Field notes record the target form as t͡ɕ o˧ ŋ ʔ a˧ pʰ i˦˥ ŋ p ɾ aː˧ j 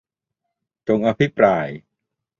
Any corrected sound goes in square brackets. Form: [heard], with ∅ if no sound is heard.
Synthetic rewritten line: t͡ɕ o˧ ŋ ʔ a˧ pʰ i˦˥ [∅] p ɾ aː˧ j

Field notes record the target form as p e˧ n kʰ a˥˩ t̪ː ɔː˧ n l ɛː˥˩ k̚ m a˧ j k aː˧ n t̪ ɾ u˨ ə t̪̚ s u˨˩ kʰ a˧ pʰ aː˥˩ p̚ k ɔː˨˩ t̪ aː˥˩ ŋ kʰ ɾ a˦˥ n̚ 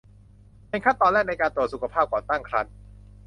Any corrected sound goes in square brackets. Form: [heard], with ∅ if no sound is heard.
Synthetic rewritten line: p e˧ n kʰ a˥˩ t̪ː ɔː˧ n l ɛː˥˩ k̚ [n] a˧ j k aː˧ n t̪ ɾ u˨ ə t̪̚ s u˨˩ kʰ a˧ pʰ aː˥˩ p̚ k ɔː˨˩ t̪ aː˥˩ ŋ kʰ ɾ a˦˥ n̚

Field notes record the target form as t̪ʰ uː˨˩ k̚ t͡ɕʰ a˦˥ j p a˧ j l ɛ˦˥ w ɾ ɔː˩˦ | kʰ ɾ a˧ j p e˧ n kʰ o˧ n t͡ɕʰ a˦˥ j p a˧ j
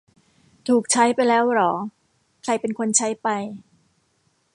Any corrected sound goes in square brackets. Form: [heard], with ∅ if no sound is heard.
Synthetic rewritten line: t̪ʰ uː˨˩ k̚ t͡ɕʰ a˦˥ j p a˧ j l [ɛː˦˥] w ɾ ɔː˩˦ | kʰ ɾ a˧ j p e˧ n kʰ o˧ n t͡ɕʰ a˦˥ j p a˧ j

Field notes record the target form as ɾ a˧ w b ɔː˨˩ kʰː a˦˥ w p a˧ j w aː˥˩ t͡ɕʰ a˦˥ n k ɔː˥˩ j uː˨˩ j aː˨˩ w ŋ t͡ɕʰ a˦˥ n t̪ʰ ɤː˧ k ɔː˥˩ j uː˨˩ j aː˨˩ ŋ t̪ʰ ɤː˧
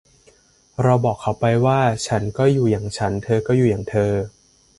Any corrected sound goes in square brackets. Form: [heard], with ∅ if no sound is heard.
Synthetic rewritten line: ɾ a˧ w b ɔː˨˩ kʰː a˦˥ w p a˧ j w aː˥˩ t͡ɕʰ a˦˥ n k ɔː˥˩ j uː˨˩ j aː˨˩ [∅] ŋ t͡ɕʰ a˦˥ n t̪ʰ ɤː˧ k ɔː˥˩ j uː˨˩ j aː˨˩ ŋ t̪ʰ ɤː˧

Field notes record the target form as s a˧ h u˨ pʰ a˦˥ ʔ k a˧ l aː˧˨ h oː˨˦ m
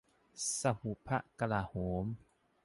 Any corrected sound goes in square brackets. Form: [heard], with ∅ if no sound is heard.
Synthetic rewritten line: s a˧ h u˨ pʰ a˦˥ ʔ k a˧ l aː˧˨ h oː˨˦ m

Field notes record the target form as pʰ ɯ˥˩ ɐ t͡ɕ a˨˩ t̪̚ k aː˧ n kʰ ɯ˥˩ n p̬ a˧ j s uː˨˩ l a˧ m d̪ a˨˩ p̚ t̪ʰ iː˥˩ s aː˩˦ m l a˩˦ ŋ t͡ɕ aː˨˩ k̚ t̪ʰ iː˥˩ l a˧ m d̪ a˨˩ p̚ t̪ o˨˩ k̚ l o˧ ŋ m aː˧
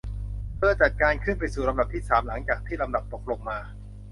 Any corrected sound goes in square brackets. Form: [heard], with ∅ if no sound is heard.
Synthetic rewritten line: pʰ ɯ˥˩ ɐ t͡ɕ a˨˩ t̪̚ k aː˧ n kʰ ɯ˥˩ n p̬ a˧ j s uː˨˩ l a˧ m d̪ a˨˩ p̚ t̪ʰ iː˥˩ s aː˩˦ m l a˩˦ ŋ t͡ɕ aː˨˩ k̚ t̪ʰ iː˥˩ l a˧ m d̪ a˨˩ p̚ t̪ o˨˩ k̚ l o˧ ŋ m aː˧

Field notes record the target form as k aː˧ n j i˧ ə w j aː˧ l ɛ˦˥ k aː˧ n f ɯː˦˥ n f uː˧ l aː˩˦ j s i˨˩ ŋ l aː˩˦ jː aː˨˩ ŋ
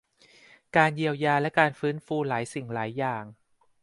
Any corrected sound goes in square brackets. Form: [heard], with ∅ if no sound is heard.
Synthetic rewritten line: k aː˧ n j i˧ ə w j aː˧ l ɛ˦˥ k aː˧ n f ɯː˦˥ n f uː˧ l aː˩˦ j s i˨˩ ŋ l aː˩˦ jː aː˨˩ ŋ

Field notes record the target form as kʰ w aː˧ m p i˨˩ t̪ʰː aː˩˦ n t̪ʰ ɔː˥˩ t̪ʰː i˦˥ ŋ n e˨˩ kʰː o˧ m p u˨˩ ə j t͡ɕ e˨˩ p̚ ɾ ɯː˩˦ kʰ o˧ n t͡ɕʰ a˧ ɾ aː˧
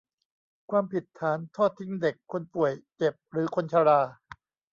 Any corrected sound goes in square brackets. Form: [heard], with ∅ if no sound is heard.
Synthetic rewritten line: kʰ w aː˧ m p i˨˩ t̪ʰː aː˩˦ n t̪ʰ ɔː˥˩ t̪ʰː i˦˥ ŋ [d] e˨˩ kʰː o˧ [n] p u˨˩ ə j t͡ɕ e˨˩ p̚ ɾ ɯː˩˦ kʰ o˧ n t͡ɕʰ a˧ ɾ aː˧

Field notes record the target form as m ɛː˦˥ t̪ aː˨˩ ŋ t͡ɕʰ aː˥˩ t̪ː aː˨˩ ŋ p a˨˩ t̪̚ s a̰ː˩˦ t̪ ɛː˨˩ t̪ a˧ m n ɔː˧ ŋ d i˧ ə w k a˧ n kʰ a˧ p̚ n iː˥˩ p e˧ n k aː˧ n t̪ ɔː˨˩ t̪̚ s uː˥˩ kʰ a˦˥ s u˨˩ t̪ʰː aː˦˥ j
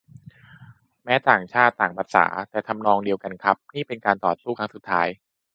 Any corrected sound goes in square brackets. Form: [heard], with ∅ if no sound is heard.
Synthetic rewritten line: m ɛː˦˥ t̪ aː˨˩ ŋ t͡ɕʰ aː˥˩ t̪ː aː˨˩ ŋ p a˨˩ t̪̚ s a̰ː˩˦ t̪ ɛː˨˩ [t̪ʰ] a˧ m n ɔː˧ ŋ d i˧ ə w k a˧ n kʰ [a˦˥] p̚ n iː˥˩ p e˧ n k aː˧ n t̪ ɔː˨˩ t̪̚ s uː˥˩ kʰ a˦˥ s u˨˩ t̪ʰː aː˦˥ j

